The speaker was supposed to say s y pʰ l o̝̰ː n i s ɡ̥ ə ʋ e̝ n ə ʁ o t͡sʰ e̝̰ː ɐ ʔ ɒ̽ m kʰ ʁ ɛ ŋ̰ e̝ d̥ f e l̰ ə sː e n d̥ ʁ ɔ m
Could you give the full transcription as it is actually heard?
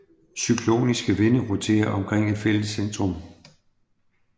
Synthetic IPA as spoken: s y kʰ l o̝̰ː n i s ɡ̥ ə ʋ e̝ n ə ʁ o t͡sʰ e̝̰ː ɐ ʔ ɒ̽ m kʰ ʁ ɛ ŋ̰ e̝ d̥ f e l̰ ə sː e n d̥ ʁ ɔ m